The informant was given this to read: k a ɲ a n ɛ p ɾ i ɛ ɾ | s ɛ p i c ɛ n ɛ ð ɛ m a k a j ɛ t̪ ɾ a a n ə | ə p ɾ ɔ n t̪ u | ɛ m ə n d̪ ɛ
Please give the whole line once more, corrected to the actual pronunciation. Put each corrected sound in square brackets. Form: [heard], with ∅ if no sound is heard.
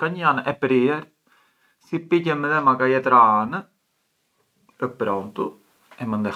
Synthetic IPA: k a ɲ a n ɛ p ɾ i ɛ ɾ | s [i] p i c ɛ [m] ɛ ð ɛ m a k a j ɛ t̪ ɾ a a n ə | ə p ɾ ɔ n t̪ u | ɛ m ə n d̪ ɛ